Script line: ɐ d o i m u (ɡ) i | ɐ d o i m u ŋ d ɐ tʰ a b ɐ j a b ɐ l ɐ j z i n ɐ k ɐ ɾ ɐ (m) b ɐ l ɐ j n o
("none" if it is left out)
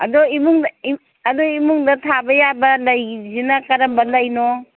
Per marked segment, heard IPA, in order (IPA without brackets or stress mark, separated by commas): ŋ, m